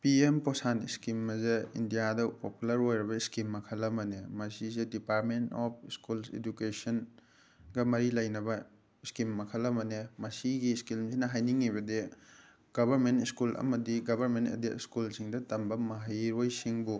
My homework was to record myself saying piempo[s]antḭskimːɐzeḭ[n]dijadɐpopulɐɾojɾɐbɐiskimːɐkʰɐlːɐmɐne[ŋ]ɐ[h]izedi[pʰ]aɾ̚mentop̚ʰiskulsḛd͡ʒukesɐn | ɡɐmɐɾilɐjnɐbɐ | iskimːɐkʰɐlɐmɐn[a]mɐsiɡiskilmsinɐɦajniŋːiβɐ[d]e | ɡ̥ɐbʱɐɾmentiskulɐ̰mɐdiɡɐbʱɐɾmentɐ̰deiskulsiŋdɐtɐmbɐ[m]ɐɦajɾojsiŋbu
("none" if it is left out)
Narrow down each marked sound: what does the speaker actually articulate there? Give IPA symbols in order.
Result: s, n, m, s, p, e, d, m

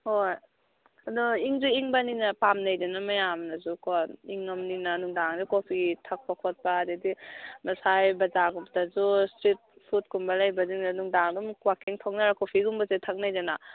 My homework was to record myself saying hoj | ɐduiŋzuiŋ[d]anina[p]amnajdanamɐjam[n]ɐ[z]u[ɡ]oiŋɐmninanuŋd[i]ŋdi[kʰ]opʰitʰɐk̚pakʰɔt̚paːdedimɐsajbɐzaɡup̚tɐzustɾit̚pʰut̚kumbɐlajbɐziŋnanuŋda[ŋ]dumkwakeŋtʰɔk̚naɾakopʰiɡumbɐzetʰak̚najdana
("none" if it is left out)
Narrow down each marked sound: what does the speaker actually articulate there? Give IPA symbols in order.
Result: b, p, n, z, k, a, k, ŋ

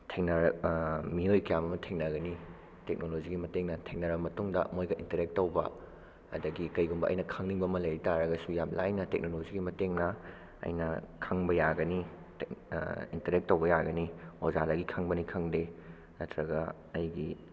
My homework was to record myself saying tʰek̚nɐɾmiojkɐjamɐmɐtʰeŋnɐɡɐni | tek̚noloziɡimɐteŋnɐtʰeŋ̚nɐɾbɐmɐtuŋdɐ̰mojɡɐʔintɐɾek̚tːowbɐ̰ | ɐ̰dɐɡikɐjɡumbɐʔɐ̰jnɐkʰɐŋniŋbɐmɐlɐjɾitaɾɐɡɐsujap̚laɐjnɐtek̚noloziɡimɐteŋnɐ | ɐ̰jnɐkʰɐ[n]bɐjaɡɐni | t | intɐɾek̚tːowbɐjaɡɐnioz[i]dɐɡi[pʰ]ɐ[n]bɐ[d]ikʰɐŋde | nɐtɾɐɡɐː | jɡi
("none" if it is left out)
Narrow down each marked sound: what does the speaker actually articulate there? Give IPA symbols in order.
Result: ŋ, a, kʰ, ŋ, n

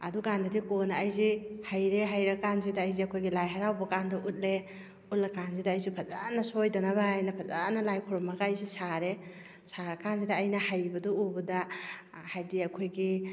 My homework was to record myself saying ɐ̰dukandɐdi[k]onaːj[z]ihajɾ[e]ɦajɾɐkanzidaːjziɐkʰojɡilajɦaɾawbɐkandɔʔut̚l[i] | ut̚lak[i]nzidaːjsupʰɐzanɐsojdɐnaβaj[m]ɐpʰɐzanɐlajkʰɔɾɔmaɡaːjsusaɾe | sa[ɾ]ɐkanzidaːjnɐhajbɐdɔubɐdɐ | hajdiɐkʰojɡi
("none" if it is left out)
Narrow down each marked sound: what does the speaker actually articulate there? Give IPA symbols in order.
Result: k, z, e, e, a, n, ɾ

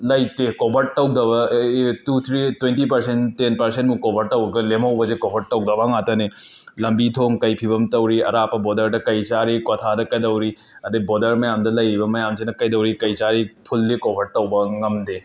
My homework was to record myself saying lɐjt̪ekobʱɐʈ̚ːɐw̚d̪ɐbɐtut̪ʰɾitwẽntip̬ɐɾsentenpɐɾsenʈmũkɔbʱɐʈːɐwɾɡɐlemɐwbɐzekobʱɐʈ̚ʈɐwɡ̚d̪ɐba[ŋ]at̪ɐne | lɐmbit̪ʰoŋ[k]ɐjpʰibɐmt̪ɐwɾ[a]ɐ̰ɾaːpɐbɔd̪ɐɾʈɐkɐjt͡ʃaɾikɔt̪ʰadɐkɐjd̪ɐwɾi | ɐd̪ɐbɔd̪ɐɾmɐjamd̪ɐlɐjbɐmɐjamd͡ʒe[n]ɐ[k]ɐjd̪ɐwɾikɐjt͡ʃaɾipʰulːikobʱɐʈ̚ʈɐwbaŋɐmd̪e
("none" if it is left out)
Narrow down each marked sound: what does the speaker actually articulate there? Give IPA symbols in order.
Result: ŋ, k, i, n, k

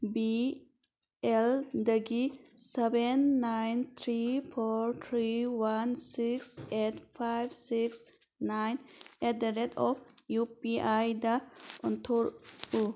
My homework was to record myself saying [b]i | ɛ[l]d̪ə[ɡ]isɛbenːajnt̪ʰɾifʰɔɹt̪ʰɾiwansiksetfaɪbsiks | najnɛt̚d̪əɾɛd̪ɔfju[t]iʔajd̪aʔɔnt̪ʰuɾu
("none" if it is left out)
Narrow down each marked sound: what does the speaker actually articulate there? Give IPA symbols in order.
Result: b, l, ɡ, p

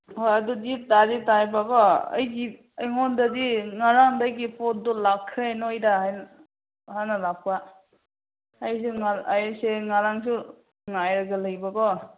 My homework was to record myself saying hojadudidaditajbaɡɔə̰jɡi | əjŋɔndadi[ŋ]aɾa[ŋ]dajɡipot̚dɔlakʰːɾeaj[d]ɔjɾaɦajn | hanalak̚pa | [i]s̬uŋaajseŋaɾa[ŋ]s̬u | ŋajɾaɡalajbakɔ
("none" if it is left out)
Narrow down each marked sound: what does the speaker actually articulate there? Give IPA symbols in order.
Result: ŋ, ŋ, n, j, ŋ

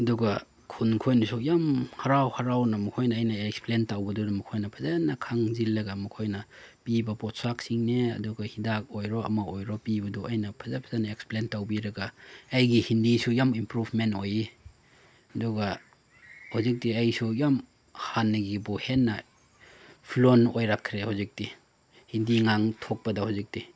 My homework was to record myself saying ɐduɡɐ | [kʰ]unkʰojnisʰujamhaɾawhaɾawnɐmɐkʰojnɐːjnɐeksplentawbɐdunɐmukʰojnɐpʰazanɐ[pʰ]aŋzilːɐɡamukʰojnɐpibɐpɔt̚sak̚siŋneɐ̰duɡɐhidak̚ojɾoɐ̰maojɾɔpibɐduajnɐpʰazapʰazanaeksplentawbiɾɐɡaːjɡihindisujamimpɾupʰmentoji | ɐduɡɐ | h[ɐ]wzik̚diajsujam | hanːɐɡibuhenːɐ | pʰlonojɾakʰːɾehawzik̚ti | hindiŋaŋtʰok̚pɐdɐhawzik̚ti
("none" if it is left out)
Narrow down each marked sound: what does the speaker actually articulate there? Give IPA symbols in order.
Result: kʰ, kʰ, a

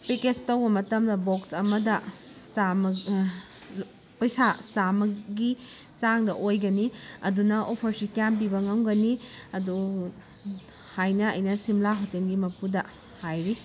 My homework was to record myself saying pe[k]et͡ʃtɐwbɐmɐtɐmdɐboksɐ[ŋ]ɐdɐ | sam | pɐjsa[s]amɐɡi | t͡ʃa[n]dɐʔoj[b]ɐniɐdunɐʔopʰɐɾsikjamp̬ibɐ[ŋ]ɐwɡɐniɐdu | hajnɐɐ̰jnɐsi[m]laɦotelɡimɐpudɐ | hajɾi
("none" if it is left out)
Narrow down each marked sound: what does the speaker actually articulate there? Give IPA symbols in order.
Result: k, m, s, ŋ, ɡ, ŋ, m

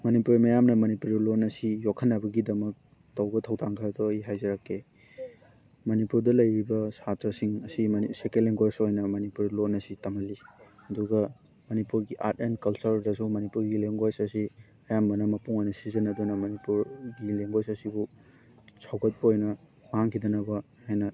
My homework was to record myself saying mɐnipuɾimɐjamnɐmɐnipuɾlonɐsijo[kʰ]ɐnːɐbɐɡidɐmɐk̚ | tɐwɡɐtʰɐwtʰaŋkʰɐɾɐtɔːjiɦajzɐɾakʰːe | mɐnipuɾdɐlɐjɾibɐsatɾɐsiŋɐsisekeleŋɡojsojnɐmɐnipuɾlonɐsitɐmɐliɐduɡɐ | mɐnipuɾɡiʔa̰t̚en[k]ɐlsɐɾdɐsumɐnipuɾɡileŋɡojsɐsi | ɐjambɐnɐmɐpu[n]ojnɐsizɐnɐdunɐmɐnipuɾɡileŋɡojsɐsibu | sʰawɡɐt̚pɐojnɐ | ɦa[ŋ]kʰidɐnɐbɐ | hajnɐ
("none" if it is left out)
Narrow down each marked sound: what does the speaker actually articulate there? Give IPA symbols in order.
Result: kʰ, k, ŋ, ŋ

